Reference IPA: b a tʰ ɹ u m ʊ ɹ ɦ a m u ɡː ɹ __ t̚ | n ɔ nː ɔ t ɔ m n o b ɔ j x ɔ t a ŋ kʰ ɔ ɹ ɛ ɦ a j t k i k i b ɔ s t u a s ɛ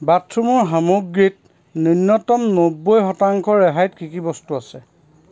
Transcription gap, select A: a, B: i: B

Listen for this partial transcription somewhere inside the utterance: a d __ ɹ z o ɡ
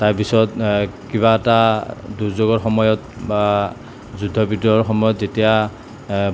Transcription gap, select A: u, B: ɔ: A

